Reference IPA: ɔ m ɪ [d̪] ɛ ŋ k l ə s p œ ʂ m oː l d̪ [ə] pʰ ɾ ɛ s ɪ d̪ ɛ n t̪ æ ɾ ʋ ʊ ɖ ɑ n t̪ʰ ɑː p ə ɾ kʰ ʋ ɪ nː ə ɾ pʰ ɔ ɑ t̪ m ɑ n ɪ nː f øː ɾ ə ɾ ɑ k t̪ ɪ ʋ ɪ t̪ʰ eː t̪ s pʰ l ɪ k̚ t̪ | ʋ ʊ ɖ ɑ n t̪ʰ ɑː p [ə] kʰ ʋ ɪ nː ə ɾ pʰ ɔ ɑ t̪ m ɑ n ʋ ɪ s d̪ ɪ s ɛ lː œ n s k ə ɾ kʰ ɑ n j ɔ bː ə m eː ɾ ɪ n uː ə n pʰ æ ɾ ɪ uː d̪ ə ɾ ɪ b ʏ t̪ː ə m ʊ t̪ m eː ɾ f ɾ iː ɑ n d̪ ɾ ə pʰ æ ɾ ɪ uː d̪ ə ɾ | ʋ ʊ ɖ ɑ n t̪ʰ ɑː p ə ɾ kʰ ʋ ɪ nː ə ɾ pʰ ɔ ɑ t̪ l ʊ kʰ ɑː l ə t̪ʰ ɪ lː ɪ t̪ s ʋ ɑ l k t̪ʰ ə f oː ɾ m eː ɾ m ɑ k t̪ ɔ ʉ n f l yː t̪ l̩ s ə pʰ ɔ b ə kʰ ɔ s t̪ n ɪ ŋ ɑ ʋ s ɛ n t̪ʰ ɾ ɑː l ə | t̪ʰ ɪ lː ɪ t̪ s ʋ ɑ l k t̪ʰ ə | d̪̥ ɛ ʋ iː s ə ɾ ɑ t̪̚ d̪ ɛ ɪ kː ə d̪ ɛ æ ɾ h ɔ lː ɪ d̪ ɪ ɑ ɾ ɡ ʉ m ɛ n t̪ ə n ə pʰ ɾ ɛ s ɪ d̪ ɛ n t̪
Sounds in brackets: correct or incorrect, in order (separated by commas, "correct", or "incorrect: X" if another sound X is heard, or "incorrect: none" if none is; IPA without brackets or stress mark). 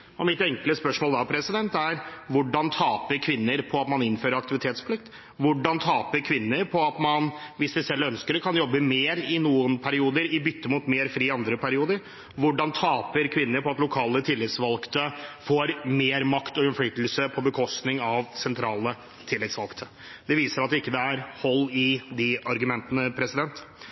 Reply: incorrect: t̪, incorrect: ɑ, correct